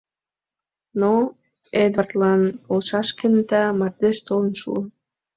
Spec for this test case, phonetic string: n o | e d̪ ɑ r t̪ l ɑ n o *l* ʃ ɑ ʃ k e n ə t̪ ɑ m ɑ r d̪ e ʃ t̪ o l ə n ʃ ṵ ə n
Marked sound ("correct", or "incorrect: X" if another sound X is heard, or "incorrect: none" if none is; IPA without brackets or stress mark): correct